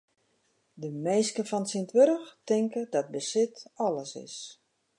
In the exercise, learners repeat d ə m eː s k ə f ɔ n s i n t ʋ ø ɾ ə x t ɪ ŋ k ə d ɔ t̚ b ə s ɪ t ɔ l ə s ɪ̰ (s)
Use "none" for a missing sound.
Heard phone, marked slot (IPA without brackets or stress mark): s